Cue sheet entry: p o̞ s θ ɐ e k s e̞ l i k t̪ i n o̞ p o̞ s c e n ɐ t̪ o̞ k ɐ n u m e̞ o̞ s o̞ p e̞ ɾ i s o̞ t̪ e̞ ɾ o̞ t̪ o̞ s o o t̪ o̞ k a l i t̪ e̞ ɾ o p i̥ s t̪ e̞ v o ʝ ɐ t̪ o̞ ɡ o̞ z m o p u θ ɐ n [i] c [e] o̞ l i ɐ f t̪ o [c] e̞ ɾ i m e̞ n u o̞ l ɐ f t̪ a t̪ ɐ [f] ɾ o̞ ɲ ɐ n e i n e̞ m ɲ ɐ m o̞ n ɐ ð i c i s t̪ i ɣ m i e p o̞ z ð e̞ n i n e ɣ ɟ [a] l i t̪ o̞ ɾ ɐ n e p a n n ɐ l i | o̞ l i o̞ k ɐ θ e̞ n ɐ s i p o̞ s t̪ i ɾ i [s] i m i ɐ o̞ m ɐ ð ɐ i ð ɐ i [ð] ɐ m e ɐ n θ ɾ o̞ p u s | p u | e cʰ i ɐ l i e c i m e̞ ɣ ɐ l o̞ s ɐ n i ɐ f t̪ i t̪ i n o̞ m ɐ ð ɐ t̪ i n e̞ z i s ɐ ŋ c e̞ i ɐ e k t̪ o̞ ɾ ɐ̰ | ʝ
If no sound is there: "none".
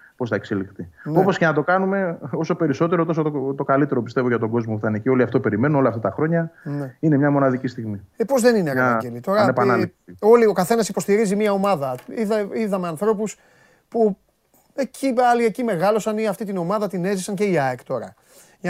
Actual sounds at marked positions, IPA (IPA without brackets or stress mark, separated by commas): e, i, p, x, e, z, ð